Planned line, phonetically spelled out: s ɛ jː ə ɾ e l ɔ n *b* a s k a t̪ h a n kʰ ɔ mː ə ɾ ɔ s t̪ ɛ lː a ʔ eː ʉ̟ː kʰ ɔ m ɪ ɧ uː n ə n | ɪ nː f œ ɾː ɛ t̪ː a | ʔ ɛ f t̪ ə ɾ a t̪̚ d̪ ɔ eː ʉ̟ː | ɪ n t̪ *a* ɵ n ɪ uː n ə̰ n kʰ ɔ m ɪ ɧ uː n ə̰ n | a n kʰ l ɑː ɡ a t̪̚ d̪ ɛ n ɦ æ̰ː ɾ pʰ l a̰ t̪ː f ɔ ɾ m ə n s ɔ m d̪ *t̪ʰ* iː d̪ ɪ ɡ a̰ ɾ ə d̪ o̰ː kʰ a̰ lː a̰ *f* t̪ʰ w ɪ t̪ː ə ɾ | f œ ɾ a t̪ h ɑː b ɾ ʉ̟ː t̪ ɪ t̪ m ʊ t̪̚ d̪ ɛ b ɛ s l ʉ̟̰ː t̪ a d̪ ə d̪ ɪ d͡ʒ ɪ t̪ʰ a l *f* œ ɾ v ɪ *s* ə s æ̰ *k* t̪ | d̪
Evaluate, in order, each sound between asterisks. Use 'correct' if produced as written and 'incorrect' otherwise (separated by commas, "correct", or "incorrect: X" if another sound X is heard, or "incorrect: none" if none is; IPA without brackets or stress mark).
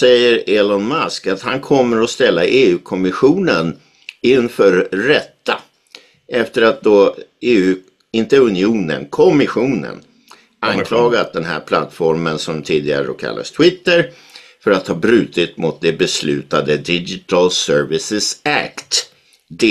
incorrect: m, incorrect: ə, correct, incorrect: s, incorrect: s, correct, correct